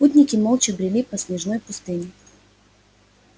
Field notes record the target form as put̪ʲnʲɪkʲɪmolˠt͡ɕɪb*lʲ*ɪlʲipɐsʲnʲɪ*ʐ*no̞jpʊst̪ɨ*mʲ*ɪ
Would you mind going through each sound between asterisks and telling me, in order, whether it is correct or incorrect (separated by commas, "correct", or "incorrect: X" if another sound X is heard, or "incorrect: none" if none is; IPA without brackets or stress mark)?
incorrect: ɾʲ, correct, incorrect: nʲ